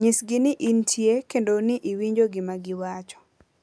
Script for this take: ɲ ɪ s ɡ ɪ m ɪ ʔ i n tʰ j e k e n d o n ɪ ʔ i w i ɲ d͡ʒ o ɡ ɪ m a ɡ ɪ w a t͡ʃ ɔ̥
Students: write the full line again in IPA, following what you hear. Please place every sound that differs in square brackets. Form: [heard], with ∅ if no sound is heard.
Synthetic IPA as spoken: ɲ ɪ s ɡ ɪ [n] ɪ ʔ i n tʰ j e k e n d o n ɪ ʔ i w i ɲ d͡ʒ o ɡ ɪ m a ɡ ɪ w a t͡ʃ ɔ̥